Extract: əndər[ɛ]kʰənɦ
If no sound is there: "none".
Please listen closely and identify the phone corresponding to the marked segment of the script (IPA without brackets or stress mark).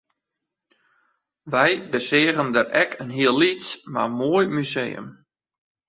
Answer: ɛ